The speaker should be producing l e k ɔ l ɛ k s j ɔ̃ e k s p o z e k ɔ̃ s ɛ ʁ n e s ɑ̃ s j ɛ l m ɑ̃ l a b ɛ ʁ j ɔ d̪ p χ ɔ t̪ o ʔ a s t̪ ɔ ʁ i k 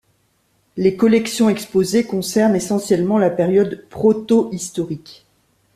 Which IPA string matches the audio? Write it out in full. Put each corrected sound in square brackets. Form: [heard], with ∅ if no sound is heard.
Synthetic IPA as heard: l e k ɔ l ɛ k s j ɔ̃ [ɛ] k s p o z e k ɔ̃ s ɛ ʁ n e s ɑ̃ s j ɛ l m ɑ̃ l a [p] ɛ ʁ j ɔ d̪ p χ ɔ t̪ o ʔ [i] s t̪ ɔ ʁ i k